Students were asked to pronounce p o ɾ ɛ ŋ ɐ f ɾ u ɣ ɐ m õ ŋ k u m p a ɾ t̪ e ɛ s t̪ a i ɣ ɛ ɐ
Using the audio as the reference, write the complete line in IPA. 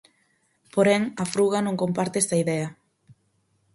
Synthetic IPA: p o ɾ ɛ ŋ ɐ f ɾ u ɣ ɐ n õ ŋ k o m p a ɾ t̪ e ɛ s t̪ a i ð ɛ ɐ